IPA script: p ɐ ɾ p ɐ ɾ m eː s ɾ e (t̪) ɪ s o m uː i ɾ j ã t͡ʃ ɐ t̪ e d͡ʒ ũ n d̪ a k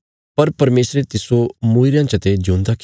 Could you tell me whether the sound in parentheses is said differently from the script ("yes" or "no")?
no